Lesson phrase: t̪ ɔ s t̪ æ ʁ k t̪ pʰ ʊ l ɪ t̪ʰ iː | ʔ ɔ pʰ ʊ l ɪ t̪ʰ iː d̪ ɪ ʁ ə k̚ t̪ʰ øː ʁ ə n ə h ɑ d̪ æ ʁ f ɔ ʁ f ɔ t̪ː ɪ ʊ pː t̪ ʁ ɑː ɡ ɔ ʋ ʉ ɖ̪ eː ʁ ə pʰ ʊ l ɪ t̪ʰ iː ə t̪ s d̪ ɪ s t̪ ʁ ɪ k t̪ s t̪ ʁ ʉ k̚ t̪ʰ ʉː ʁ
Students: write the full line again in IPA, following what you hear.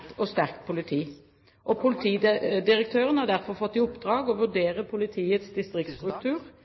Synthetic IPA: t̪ ɔ s t̪ æ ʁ k t̪ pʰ ʊ l ɪ t̪ʰ iː | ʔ ɔ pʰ ʊ l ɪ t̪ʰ iː d̪ ɪ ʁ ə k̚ t̪ʰ øː ʁ ə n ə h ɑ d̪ æ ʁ f ɔ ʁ f ɔ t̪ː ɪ ʊ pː d̪ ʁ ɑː ɡ ɔ ʋ ʉ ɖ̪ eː ʁ ə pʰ ʊ l ɪ t̪ʰ iː ə t̪ s d̪ ɪ s t̪ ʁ ɪ k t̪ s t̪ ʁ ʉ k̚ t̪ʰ ʉː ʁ